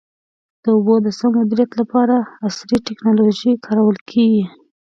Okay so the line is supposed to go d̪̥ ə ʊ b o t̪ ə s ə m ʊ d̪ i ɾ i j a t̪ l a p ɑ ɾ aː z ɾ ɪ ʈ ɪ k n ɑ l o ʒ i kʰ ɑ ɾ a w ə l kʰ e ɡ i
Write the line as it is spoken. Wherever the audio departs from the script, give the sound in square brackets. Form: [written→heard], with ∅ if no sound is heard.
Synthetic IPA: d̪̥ ə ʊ b o [t̪→d̪] ə s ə m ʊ d̪ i ɾ i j a t̪ l a p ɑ ɾ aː [z→s] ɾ [ɪ→i] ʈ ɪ k n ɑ l o ʒ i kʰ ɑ ɾ a w ə l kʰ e ɡ i